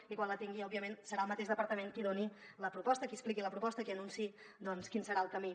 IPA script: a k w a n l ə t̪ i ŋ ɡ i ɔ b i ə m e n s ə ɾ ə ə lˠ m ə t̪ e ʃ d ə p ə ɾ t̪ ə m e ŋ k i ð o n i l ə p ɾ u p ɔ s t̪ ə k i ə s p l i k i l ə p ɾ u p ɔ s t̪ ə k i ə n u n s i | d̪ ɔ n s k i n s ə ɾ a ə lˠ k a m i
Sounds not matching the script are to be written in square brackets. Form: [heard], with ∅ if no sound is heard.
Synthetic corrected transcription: [i] k w a n l ə t̪ i ŋ ɡ i ɔ b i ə m e n s ə ɾ [a] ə lˠ m ə t̪ e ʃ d ə p ə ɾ t̪ ə m e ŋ k i ð o n i l ə p ɾ u p ɔ s t̪ ə k i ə s p l i k i l ə p ɾ u p ɔ s t̪ ə k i ə n u n s i | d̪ ɔ n s k i n s ə ɾ a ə lˠ k [ə] m i